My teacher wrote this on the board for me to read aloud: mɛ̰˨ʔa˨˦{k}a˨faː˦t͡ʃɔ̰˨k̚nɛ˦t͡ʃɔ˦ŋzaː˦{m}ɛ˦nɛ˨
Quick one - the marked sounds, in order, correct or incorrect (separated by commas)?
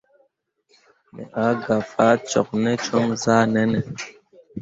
incorrect, incorrect